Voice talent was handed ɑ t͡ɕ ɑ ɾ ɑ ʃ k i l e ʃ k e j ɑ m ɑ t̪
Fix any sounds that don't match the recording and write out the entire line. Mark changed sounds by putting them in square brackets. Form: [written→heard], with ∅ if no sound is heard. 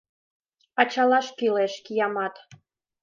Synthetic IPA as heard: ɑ t͡ɕ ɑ [ɾ→l] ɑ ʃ k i l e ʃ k [e→i] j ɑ m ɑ t̪